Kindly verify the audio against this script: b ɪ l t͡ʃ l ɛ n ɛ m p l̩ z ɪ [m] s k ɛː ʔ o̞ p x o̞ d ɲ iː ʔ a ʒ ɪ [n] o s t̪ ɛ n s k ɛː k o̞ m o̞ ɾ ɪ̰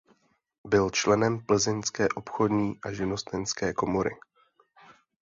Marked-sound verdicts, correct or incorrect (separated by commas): incorrect, correct